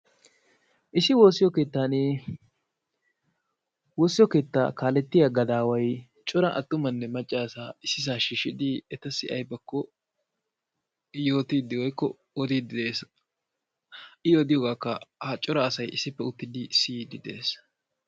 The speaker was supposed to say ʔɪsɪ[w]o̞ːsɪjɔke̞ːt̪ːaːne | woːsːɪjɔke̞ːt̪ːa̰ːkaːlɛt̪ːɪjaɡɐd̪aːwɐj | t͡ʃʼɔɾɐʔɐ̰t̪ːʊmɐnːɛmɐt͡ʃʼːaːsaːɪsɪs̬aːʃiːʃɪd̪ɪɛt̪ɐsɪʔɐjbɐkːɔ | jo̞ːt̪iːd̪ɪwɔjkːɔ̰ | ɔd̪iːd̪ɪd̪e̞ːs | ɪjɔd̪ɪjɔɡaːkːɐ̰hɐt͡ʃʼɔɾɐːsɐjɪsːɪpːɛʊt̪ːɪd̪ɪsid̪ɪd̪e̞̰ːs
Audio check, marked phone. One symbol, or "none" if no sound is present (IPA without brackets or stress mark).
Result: w